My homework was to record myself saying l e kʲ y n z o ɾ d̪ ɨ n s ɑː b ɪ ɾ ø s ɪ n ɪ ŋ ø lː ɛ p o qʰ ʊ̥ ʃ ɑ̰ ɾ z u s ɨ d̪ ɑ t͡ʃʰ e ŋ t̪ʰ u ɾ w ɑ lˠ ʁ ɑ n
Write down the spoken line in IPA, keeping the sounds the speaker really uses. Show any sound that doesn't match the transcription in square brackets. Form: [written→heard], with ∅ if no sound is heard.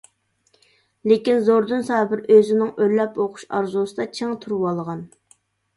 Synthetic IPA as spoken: l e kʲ [y→i] n z o ɾ d̪ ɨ n s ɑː b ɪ ɾ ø [s→z] ɪ n ɪ ŋ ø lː ɛ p o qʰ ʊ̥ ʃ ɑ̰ ɾ z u s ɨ d̪ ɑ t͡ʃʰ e ŋ t̪ʰ u ɾ w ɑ lˠ ʁ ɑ n

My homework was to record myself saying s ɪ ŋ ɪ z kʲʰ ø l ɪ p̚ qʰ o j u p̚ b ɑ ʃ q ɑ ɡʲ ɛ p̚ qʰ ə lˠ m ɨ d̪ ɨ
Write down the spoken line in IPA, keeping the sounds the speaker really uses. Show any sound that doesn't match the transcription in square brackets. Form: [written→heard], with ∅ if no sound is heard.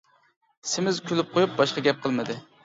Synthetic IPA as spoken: s ɪ [ŋ→m] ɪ z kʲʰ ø l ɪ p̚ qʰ o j u p̚ b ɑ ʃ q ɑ ɡʲ ɛ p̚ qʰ ə lˠ m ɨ d̪ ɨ

